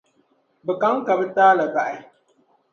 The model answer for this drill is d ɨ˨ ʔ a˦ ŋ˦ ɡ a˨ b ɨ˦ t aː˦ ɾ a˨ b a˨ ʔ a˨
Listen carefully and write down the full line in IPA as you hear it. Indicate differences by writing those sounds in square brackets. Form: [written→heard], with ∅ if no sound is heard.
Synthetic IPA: [d→b] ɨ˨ [ʔ→k] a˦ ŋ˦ [ɡ→k] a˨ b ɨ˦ t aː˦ [ɾ→l] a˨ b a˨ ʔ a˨

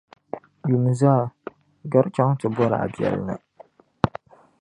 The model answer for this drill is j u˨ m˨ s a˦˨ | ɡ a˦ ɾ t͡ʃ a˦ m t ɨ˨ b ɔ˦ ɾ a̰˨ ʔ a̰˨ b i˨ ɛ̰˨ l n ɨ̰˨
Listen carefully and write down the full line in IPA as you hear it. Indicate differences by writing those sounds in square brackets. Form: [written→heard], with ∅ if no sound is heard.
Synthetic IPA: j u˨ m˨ [s→z] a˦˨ | ɡ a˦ ɾ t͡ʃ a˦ [m→ŋ] t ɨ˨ b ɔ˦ ɾ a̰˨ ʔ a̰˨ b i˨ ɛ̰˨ l n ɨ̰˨

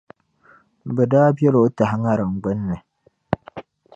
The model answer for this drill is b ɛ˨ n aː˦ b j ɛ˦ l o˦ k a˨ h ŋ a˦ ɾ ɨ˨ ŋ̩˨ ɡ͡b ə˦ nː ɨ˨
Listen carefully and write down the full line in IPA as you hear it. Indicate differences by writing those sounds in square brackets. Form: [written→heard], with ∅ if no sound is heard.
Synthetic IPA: b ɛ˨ [n→d] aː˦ b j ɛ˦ l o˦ [k→t] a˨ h ŋ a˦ ɾ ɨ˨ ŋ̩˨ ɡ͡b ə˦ nː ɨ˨

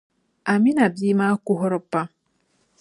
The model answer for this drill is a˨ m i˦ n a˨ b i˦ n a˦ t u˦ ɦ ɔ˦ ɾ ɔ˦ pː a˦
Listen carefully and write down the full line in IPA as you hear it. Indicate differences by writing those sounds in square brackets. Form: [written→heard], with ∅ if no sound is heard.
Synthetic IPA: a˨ m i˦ n a˨ b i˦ [n→m] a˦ [t→k] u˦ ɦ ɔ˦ ɾ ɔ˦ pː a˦

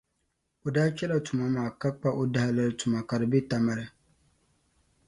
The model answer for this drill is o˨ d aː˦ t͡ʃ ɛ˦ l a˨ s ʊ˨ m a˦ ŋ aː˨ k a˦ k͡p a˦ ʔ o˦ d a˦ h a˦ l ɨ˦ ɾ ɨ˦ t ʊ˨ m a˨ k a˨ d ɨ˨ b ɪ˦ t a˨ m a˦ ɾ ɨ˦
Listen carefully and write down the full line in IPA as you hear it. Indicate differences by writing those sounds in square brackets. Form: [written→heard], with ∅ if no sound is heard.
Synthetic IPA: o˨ d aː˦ t͡ʃ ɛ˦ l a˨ [s→t] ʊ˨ m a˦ [ŋ→m] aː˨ k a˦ k͡p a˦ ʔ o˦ d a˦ h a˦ l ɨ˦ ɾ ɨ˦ t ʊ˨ m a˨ k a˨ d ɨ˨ b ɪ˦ t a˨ m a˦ ɾ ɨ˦

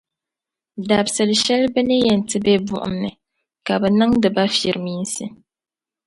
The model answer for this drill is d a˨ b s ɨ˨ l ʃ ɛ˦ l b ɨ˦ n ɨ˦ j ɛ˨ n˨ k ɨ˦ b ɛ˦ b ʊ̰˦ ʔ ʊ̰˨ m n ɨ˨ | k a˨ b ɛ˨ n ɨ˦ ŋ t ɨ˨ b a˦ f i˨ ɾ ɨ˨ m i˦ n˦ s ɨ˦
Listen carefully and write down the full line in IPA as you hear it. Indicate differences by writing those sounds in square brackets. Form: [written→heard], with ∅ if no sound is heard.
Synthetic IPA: d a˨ b s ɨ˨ l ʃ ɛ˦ l b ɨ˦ n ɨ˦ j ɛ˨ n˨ [k→t] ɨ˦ b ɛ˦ b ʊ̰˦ ʔ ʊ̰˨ m n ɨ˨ | k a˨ b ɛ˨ n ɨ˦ ŋ [t→d] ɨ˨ b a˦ f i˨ ɾ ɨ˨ m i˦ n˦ s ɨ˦

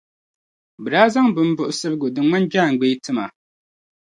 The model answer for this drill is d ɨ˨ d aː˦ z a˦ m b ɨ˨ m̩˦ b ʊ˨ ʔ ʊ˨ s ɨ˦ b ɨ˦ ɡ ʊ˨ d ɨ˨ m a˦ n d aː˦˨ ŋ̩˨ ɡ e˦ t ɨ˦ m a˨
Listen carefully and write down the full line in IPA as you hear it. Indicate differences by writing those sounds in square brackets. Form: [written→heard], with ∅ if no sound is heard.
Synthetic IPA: [d→b] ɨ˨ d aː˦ z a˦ [m→ŋ] b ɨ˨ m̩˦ b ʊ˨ ʔ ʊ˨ s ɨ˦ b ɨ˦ ɡ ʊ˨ d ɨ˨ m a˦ n [d→d͡ʒ] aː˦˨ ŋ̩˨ [ɡ→ɡ͡b] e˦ t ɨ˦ m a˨

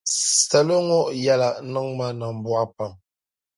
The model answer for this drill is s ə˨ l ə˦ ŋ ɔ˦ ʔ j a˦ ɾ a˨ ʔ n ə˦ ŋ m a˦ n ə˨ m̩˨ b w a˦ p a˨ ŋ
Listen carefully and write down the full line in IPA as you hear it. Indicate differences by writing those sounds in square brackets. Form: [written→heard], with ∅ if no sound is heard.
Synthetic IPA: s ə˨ l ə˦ ŋ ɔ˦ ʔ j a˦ [ɾ→l] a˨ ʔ n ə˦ ŋ m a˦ n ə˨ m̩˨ b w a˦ p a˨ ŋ

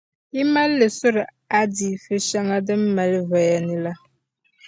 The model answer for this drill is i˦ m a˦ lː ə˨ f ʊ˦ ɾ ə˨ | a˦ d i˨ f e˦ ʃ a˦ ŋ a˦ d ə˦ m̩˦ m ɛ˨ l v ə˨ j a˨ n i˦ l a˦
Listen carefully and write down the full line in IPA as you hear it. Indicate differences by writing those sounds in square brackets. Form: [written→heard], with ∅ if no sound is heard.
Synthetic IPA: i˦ m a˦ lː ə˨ [f→s] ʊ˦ ɾ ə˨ | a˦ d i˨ f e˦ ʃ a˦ ŋ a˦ d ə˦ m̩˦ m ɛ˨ l v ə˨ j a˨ n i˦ l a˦

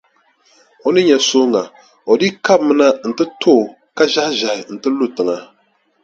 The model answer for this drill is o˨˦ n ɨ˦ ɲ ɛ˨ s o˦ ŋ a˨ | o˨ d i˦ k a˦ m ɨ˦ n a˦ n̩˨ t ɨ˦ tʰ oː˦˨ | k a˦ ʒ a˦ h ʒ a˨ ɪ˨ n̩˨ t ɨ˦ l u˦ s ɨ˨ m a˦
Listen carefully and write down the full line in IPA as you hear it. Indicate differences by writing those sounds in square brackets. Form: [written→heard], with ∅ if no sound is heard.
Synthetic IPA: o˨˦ n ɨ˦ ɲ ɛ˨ s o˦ ŋ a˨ | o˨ d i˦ k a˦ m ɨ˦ n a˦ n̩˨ t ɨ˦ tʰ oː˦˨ | k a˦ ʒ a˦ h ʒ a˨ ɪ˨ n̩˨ t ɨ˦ l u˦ [s→t] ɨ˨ [m→ŋ] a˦

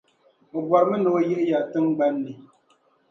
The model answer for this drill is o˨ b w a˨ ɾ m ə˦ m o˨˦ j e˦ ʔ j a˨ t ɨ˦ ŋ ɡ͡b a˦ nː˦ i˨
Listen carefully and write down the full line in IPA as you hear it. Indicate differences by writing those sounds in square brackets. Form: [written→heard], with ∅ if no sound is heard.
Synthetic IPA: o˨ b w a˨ ɾ m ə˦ [m→n] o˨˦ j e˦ ʔ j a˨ t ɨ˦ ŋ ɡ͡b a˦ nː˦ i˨

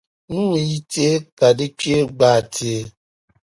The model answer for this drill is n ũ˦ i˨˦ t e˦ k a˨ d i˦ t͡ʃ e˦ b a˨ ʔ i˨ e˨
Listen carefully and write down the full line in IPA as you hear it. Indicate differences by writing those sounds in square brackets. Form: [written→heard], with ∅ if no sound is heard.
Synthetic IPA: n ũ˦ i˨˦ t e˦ k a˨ d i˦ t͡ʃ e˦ [b→ɡ͡b] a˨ [ʔ→t] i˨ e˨

